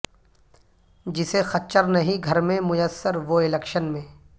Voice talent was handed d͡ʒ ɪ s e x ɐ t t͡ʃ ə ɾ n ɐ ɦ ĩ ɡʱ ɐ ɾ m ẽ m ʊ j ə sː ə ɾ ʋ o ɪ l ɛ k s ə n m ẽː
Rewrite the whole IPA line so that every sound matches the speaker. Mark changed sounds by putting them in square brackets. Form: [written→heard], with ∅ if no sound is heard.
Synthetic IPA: d͡ʒ ɪ s e x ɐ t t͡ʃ ə ɾ n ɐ ɦ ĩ ɡʱ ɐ ɾ m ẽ m ʊ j ə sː ə ɾ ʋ o ɪ l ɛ k [s→ʃ] ə n m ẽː